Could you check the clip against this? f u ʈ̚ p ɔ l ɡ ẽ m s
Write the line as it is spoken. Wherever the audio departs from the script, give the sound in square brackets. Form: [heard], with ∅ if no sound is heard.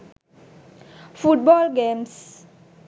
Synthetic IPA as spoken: f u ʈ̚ [b] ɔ l ɡ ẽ m s

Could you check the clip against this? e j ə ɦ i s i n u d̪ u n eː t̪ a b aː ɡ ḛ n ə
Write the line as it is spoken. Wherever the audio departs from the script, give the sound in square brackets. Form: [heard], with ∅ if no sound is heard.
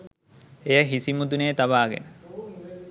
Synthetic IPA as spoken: e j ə ɦ i s i [m] u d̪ u n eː t̪ a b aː ɡ ḛ n ə

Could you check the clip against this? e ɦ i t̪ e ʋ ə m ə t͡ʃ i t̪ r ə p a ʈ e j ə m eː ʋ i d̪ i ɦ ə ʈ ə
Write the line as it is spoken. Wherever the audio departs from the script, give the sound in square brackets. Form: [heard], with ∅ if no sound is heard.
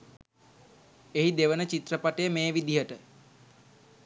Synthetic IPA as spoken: e ɦ i [d̪] e ʋ ə [n] ə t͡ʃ i t̪ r ə p a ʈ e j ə m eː ʋ i d̪ i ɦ ə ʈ ə

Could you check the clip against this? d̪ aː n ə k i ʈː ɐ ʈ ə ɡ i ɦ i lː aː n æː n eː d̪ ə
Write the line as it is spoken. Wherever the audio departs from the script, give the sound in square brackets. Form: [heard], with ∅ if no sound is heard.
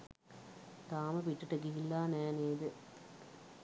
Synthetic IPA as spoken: [t̪] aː [m] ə [p] i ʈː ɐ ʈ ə ɡ i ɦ i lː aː n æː n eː d̪ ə

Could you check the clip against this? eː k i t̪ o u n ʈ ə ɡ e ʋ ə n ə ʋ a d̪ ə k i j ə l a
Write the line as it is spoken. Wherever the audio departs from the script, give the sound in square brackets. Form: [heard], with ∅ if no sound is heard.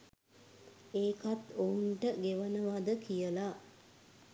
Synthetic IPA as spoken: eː k [a] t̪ o u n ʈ ə ɡ e ʋ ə n ə ʋ a d̪ ə k i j ə l a

